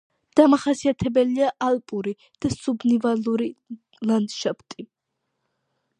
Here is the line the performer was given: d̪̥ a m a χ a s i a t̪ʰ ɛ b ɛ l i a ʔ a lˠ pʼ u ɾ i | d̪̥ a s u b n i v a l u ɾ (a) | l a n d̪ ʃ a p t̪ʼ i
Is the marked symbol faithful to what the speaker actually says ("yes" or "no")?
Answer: no